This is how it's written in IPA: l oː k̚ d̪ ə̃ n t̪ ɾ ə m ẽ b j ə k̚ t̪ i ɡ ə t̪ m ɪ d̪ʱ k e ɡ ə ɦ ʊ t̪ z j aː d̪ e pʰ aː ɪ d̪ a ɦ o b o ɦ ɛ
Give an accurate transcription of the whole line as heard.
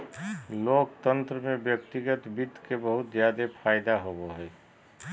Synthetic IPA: l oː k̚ t̪ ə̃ n t̪ ɾ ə m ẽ b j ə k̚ t̪ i ɡ ə t̪ b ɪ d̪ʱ k e b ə ɦ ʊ t̪ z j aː d̪ e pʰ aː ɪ d̪ a ɦ o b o ɦ ɛ